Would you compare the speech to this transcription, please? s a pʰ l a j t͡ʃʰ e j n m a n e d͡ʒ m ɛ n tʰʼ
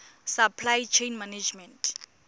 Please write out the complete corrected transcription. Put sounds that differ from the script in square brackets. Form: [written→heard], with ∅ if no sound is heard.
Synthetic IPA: s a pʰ l a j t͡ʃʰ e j n m a n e d͡ʒ m ɛ n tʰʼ